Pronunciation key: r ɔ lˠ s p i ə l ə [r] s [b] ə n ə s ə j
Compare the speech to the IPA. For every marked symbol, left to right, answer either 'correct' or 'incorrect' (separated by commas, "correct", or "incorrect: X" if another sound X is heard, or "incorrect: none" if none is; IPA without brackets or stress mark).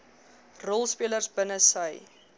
correct, correct